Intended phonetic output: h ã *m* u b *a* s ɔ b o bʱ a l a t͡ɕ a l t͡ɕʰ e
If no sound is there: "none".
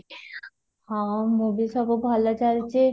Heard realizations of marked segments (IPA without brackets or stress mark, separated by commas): m, i